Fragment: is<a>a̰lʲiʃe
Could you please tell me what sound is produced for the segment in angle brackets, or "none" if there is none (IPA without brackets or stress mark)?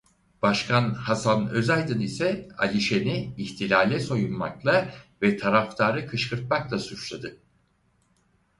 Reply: ɛ